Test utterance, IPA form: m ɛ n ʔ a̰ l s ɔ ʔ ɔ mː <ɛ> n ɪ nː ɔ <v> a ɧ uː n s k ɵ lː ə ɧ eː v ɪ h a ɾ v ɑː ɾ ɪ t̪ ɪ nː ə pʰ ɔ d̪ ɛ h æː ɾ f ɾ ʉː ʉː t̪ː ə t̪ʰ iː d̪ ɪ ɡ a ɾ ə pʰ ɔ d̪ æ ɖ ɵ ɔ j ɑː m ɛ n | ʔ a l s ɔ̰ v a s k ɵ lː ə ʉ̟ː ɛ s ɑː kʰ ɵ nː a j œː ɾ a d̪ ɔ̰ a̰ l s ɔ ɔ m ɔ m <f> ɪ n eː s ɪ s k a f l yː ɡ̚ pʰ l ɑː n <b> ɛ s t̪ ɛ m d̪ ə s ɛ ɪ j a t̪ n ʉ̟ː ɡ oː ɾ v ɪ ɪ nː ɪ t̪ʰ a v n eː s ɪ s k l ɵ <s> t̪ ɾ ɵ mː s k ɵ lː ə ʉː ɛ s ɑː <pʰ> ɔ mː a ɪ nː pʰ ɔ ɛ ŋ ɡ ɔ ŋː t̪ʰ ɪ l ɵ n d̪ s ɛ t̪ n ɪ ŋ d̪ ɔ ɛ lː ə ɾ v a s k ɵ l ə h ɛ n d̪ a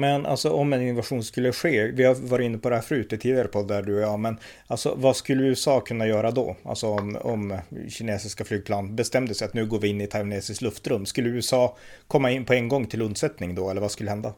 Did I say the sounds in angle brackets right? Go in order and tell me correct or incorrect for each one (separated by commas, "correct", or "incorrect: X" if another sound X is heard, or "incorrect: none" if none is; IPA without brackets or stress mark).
correct, correct, incorrect: ɕ, correct, incorrect: f, incorrect: kʰ